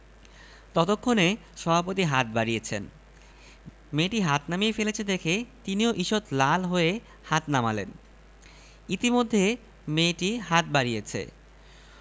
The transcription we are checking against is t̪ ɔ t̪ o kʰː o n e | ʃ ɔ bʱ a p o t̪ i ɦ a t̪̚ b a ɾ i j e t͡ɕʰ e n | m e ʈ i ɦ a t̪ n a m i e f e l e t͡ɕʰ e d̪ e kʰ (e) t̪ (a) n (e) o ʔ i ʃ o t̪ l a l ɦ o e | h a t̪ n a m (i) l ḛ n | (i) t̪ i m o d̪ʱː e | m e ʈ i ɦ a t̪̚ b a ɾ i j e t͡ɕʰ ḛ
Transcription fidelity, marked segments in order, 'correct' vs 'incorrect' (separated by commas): correct, incorrect, incorrect, incorrect, correct